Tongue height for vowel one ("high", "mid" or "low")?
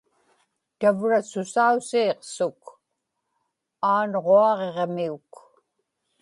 low